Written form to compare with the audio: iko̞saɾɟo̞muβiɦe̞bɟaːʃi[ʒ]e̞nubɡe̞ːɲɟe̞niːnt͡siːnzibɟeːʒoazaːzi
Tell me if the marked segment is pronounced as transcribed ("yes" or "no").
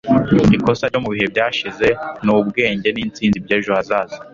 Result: no